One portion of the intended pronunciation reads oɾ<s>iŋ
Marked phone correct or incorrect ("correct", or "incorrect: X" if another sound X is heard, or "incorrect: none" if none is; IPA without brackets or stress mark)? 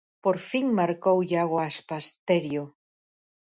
incorrect: f